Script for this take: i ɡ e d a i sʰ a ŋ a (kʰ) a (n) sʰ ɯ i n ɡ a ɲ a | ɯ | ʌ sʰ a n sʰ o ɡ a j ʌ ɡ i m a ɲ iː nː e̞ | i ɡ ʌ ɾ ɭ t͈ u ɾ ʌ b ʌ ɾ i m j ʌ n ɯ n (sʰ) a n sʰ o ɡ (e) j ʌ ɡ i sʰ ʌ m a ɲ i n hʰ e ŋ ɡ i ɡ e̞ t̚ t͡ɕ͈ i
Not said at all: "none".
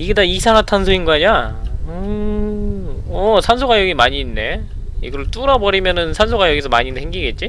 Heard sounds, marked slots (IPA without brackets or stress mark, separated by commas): tʰ, n, sʰ, a